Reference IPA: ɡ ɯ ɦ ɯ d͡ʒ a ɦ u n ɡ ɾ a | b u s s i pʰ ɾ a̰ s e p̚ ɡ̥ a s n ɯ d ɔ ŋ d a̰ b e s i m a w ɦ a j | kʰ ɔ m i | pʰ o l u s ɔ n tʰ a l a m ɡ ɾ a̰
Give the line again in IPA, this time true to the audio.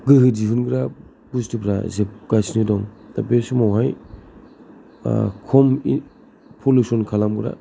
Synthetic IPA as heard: ɡ ɯ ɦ ɯ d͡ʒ i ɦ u n ɡ ɾ a | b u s t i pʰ ɾ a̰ z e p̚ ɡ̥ a s n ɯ d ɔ ŋ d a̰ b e s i m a w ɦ a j | kʰ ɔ m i | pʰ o l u s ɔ n kʰ a l a m ɡ ɾ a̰